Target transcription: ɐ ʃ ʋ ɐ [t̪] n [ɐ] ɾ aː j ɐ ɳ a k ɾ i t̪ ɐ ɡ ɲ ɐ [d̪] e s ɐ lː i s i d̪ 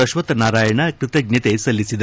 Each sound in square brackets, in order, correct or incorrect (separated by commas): correct, incorrect, incorrect